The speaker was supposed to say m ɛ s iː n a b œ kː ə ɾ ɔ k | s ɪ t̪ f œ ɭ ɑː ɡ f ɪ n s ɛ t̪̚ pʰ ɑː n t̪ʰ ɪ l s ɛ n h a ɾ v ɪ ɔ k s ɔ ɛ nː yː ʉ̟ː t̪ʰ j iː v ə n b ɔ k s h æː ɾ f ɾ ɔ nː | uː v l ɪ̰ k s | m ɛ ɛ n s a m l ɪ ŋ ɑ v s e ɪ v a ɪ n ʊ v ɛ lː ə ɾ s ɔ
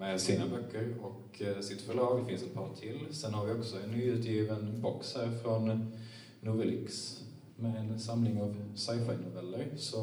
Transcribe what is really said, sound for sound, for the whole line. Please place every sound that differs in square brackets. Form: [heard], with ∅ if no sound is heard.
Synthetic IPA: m ɛ s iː n a b œ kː ə ɾ ɔ k | s ɪ t̪ f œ ɭ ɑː ɡ f ɪ n s ɛ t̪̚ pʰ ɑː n t̪ʰ ɪ l s ɛ n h a ɾ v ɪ ɔ k s ɔ ɛ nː yː ʉ̟ː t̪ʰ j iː v ə n b ɔ k s h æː ɾ f ɾ ɔ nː | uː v l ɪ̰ k s | m ɛ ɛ n s a m l ɪ ŋ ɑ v s [a] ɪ [f] a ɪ n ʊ v ɛ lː ə ɾ s ɔ